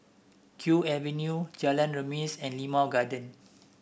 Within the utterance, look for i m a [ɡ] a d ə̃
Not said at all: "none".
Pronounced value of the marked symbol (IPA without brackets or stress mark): ɡ